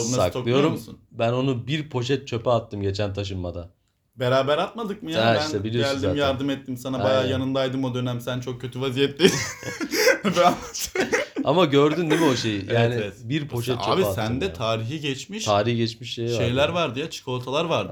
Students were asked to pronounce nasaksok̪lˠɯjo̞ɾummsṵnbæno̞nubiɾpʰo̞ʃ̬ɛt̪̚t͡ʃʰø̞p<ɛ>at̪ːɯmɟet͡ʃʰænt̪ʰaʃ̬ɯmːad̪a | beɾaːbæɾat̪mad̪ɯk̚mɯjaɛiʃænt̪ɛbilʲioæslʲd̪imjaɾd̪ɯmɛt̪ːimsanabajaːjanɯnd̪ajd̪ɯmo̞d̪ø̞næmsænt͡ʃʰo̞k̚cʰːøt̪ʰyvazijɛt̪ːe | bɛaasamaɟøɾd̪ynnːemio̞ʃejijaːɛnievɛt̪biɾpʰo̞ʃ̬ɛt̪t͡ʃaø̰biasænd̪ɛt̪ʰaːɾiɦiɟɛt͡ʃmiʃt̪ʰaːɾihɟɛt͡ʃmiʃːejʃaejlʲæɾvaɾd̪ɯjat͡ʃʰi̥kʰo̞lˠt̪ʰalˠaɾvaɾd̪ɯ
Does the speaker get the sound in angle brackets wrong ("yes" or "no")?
no